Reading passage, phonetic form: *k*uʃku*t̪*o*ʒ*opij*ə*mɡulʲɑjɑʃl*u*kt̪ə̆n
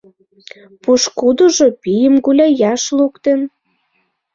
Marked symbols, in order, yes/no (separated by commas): no, no, yes, yes, yes